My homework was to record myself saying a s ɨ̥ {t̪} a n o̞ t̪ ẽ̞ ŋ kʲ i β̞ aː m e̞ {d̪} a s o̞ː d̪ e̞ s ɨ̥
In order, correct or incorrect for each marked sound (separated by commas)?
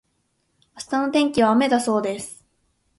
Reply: correct, correct